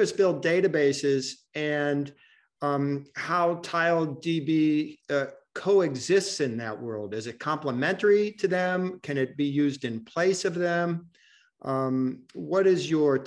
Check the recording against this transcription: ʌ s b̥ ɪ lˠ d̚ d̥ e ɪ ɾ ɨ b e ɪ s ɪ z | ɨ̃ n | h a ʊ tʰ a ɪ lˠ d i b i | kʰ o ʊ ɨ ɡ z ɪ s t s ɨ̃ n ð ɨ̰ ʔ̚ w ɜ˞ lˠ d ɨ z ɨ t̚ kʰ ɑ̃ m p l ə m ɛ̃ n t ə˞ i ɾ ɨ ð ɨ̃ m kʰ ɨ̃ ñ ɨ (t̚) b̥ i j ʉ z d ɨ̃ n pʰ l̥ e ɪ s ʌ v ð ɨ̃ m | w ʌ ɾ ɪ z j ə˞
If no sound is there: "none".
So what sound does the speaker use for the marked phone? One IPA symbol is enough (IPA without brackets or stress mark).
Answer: t̚